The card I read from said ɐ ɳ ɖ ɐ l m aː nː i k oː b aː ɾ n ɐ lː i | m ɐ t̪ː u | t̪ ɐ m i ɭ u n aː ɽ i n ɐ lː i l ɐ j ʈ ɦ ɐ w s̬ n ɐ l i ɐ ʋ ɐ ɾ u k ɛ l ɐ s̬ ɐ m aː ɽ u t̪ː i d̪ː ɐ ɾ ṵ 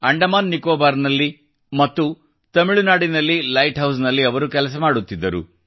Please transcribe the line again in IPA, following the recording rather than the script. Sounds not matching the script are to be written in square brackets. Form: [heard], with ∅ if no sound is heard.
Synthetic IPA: ɐ ɳ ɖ ɐ [∅] m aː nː i k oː b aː ɾ n ɐ lː i | m ɐ t̪ː u | t̪ ɐ m i ɭ u n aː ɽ i n ɐ lː i l ɐ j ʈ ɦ ɐ w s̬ n ɐ [lː] i ɐ ʋ ɐ ɾ u k ɛ l ɐ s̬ ɐ m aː ɽ u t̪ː i d̪ː ɐ ɾ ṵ